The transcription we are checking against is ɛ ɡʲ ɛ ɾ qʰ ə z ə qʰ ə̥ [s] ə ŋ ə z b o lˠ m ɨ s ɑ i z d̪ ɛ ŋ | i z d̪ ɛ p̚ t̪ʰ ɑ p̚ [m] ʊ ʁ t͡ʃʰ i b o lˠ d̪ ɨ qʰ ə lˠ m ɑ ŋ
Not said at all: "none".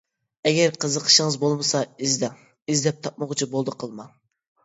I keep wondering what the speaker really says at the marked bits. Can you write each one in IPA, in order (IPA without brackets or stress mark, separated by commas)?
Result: ʃ, m